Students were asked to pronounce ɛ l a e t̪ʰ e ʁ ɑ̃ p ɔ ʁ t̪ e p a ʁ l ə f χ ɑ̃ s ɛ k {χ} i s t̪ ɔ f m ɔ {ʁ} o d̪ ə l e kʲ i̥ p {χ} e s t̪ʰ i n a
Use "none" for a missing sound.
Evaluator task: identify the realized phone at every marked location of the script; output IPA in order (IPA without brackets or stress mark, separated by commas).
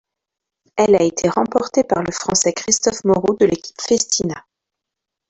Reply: χ, ʁ, f